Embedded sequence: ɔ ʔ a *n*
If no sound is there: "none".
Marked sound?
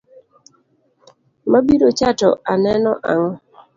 ŋ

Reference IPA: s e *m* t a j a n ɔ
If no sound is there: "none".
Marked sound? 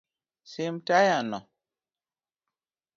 m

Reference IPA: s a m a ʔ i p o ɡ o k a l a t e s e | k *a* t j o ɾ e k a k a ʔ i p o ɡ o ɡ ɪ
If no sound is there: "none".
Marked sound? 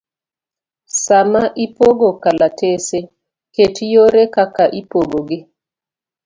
e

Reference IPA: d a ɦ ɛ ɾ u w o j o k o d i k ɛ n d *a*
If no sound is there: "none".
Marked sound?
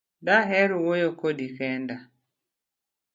a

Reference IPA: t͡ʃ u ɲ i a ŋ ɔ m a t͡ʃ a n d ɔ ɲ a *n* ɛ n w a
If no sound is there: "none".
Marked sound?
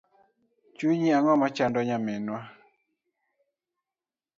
m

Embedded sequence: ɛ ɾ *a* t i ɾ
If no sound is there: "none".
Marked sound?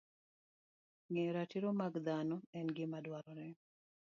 a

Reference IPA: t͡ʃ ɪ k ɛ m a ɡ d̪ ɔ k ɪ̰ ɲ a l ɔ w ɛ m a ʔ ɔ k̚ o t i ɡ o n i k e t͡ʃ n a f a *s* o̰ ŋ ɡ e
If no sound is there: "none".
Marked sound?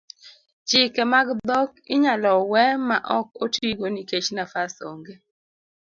s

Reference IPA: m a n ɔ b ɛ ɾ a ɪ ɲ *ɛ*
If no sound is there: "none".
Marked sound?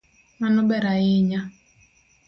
a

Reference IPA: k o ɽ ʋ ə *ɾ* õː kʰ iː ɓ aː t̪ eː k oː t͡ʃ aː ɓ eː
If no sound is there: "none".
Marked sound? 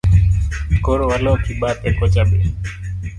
l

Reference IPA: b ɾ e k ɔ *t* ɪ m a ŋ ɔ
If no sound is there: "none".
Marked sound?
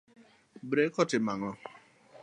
t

